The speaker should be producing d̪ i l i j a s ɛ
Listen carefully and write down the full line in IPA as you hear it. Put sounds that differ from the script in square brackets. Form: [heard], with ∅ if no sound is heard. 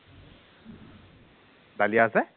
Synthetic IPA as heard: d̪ [a] l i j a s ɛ